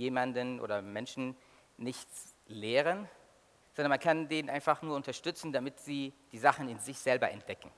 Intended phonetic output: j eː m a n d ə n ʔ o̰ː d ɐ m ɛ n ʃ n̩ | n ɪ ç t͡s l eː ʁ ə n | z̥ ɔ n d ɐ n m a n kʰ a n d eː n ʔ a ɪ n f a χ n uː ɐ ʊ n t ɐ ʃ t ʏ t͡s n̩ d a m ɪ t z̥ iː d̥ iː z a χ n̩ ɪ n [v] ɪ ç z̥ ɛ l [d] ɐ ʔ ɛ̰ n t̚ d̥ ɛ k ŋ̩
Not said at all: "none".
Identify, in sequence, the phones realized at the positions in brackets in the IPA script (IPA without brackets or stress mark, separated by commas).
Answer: z, b